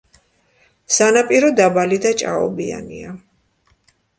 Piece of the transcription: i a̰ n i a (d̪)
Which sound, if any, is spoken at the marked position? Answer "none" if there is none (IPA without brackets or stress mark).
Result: none